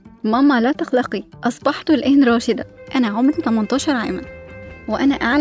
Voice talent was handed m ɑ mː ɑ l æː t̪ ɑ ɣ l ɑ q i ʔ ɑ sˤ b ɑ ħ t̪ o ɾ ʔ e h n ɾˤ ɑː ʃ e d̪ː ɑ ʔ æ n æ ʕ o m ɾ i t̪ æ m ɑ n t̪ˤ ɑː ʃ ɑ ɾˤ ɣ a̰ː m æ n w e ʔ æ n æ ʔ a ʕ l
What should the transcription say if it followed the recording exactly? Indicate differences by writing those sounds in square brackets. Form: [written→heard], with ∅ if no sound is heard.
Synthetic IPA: m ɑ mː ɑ l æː t̪ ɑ [ɣ→x] l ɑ q i ʔ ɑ sˤ b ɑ ħ t̪ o [ɾ→l] ʔ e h n ɾˤ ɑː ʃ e [d̪ː→d̪] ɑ ʔ æ n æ ʕ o m ɾ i t̪ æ m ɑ n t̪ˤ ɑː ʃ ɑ ɾˤ [ɣ→ʕ] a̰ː m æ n w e ʔ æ n æ ʔ a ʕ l